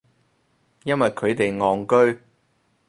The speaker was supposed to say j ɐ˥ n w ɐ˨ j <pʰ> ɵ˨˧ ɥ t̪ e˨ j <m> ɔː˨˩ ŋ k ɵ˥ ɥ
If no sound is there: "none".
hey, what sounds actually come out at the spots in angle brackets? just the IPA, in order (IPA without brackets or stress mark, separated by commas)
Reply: kʰ, ŋ